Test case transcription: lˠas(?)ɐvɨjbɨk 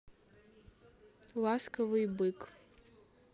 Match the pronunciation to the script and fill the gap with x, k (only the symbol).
k